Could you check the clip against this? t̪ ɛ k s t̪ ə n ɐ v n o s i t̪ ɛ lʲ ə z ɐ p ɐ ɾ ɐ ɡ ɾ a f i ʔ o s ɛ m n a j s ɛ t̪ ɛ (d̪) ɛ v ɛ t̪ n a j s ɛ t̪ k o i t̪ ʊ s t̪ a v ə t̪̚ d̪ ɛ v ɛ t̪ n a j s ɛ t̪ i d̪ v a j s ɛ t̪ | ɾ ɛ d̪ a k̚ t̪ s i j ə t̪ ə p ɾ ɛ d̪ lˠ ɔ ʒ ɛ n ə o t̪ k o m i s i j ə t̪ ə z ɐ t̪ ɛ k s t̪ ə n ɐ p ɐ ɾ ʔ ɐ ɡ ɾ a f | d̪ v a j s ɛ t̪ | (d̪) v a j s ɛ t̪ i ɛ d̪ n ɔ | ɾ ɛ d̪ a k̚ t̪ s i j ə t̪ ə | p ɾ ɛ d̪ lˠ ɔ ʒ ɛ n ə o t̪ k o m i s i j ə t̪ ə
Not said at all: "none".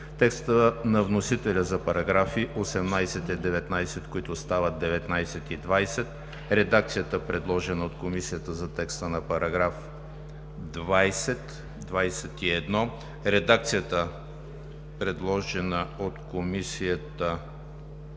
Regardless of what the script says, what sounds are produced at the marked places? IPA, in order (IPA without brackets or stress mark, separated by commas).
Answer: d̪, d̪